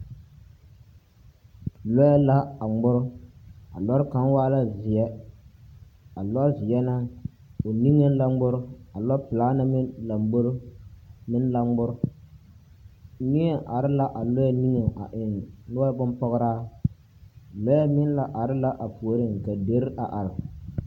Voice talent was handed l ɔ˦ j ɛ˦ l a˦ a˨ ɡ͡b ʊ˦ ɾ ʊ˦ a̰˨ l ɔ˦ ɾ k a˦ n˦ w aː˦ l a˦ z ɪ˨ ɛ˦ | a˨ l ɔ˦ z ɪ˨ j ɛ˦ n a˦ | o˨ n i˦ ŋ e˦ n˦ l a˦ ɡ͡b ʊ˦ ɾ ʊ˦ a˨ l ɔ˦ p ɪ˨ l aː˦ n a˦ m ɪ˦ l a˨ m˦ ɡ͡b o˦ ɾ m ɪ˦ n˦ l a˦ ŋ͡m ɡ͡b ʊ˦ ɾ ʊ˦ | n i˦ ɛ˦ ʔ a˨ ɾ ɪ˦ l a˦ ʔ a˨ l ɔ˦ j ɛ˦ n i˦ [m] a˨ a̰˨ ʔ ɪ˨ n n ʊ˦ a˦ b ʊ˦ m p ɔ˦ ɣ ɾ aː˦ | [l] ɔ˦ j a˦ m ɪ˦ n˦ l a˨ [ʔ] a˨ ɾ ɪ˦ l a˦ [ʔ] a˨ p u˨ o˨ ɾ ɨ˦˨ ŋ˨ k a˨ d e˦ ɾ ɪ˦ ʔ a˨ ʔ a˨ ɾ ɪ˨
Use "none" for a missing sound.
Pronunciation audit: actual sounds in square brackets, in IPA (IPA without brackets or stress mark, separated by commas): ŋ, l, ʔ, ʔ